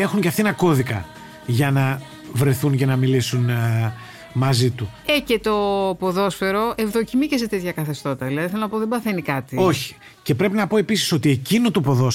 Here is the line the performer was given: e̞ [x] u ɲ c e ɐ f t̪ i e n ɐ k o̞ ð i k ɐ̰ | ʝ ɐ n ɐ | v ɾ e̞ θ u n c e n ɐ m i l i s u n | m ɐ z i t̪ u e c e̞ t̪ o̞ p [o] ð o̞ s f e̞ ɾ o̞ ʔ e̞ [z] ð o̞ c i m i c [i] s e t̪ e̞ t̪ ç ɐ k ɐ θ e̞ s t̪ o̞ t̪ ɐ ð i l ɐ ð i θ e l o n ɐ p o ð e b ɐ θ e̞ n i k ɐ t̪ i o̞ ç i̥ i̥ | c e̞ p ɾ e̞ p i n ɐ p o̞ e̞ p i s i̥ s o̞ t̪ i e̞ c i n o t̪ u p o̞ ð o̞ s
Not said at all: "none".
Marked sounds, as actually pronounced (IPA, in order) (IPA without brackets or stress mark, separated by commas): x, o, v, e